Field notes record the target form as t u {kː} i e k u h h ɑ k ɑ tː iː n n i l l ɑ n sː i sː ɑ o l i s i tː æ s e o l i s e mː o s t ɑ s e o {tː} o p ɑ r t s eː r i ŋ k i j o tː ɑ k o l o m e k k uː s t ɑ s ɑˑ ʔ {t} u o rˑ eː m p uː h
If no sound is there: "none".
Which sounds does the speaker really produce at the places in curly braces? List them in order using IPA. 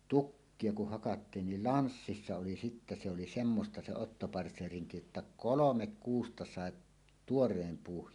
kː, tː, t

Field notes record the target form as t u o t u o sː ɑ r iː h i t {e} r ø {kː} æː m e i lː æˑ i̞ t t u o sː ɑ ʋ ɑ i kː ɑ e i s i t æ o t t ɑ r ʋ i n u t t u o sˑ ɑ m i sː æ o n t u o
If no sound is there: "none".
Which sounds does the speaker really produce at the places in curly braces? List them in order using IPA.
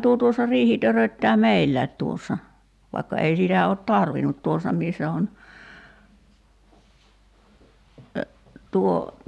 ø, tː

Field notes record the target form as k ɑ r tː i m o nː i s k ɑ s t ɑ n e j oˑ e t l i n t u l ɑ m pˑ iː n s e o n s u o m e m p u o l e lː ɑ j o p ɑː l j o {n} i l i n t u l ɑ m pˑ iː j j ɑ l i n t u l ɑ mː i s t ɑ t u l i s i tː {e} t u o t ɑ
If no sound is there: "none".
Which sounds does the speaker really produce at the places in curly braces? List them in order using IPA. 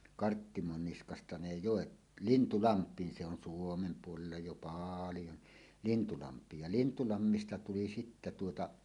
n, æ

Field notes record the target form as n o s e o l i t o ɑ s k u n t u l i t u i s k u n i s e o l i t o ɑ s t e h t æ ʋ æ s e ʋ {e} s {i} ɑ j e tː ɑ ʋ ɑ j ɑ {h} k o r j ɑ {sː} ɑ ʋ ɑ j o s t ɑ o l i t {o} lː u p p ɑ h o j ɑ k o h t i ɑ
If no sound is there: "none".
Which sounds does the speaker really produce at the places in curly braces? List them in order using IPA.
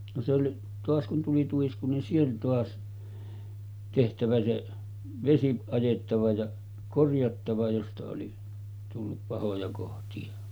e, i, none, tː, u

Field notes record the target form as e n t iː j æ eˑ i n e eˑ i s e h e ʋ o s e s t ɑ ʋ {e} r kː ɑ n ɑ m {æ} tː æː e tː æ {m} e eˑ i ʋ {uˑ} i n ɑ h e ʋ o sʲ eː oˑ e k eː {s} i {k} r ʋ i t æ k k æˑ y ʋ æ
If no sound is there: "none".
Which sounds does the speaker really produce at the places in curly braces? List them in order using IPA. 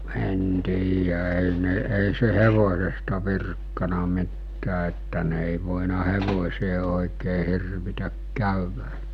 i, i, n, oˑ, h, none

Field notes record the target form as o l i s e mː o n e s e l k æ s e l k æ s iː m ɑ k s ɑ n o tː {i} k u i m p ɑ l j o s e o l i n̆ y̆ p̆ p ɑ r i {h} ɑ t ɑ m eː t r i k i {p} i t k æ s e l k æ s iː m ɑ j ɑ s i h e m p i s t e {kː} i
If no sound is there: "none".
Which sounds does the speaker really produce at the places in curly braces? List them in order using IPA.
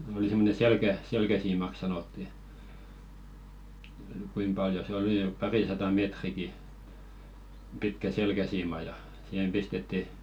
i, s, p, tː

